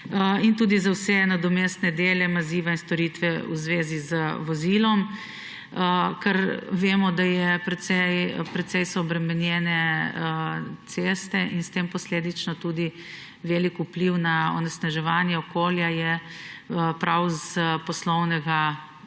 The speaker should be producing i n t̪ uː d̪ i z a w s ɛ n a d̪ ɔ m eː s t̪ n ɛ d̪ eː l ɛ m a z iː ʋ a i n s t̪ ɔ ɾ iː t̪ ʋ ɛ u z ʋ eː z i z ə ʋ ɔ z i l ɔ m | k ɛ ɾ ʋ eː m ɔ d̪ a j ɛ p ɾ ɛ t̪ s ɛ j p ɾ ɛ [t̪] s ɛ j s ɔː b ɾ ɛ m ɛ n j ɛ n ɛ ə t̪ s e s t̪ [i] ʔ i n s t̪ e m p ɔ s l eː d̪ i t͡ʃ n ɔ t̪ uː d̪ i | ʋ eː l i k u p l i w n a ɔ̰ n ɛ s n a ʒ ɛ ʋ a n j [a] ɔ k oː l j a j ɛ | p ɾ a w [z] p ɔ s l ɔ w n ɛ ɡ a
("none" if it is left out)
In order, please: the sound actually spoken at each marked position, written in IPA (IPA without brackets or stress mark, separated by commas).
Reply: t̪, ɛ, ɛ, z